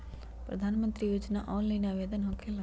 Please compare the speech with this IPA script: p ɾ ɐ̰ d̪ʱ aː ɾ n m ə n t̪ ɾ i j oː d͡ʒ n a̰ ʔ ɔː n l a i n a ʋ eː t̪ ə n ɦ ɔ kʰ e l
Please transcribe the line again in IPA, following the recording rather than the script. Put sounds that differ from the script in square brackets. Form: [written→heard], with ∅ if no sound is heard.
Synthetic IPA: p ɾ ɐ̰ d̪ʱ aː [ɾ→∅] n m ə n t̪ ɾ i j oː d͡ʒ n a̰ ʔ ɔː n l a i n a ʋ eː [t̪→d̪] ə n ɦ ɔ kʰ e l